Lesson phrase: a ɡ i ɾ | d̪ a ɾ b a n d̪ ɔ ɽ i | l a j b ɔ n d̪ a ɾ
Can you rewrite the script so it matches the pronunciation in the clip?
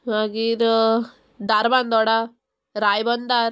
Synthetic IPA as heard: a ɡ i ɾ | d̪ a ɾ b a n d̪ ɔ ɽ a | ɾ a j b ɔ n d̪ a ɾ